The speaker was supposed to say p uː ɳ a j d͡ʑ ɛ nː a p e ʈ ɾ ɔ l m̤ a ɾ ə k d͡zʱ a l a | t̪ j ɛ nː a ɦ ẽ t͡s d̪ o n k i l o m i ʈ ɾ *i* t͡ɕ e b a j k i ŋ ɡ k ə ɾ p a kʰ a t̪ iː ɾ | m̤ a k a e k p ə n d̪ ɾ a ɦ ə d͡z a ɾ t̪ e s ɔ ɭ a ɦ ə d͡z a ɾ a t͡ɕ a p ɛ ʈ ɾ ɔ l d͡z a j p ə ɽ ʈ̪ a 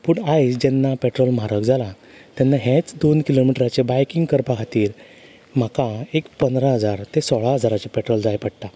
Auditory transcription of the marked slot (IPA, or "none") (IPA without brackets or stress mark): a